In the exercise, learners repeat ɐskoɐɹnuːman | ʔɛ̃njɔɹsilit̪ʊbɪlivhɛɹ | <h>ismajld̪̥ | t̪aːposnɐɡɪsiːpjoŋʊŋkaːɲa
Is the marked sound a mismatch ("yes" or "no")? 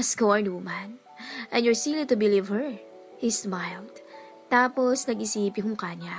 no